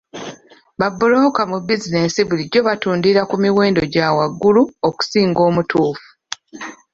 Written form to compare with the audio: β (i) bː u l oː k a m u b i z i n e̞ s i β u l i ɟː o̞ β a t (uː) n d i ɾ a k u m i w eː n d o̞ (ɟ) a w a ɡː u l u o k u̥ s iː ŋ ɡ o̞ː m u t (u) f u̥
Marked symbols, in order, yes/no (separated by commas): no, yes, yes, no